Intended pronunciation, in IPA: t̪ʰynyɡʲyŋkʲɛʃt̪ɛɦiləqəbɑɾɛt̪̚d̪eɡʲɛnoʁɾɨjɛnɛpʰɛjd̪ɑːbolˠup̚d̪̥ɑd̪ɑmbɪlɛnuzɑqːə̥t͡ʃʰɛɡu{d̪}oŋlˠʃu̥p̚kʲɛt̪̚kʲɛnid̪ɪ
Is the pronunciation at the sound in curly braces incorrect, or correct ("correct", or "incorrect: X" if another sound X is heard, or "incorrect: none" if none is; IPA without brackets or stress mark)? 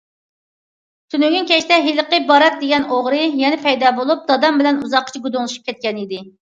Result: correct